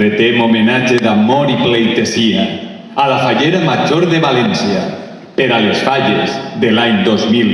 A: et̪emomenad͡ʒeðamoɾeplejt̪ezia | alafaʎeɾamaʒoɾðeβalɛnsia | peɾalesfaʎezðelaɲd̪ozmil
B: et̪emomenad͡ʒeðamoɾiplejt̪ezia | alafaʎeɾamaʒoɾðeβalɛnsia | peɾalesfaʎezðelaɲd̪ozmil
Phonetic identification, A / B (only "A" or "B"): B